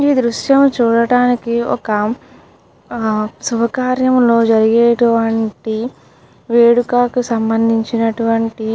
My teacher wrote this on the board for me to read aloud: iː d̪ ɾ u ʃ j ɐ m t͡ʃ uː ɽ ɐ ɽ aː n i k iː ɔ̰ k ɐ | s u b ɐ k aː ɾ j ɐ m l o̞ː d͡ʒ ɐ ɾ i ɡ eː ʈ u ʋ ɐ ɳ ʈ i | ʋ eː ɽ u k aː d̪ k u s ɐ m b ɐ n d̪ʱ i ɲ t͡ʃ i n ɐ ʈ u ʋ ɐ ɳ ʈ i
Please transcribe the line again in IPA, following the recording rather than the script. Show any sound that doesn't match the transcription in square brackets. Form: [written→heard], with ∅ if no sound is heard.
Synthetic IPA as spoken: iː d̪ ɾ u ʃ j ɐ m t͡ʃ uː ɽ ɐ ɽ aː n i k [iː→i] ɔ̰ k ɐ | s u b ɐ k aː ɾ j ɐ m l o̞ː d͡ʒ ɐ ɾ i ɡ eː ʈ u ʋ ɐ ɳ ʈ i | ʋ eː ɽ u k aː [d̪→∅] k u s ɐ m b ɐ n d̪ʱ i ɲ t͡ʃ i n ɐ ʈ u ʋ ɐ ɳ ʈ i